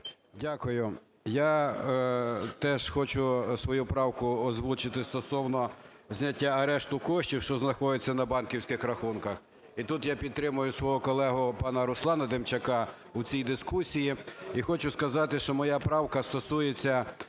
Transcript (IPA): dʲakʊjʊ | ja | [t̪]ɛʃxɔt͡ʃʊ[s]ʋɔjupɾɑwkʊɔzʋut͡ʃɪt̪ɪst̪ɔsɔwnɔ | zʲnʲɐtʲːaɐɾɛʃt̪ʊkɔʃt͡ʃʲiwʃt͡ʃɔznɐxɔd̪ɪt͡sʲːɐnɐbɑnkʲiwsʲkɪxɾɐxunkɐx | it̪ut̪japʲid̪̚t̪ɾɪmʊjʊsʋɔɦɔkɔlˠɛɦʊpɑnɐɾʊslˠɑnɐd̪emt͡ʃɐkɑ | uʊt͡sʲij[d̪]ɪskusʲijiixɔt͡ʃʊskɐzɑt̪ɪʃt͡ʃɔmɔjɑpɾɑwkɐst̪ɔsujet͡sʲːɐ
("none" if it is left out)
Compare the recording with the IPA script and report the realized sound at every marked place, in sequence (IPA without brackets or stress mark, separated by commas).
t̪, s, d̪